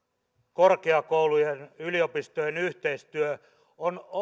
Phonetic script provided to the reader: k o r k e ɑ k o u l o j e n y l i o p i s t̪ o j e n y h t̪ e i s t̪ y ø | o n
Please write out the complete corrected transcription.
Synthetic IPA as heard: k o r k e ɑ k o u l u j e n y l i o p i s t̪ o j e n y h t̪ e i s t̪ y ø | o n